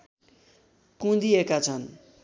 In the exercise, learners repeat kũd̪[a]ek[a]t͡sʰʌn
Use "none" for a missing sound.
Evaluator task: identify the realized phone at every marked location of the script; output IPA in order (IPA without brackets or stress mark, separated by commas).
i, a